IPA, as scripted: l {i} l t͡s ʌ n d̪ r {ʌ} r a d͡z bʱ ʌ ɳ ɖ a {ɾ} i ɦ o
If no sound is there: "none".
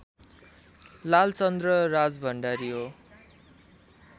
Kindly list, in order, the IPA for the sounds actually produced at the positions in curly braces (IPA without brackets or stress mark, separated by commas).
a, ʌ, ɾ